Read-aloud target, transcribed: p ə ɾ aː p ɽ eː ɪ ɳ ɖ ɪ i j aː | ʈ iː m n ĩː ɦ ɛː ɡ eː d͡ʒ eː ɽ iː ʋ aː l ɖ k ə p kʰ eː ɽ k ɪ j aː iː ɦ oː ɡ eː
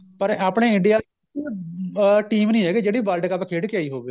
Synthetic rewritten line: p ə ɾ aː p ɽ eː ɪ ɳ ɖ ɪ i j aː | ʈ iː m n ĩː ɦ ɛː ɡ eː d͡ʒ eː ɽ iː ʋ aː l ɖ k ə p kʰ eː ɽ k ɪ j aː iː ɦ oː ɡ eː